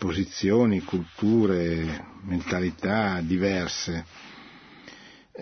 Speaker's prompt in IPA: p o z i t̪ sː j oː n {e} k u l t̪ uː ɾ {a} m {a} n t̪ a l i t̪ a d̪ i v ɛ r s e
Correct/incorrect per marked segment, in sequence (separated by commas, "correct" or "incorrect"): incorrect, incorrect, incorrect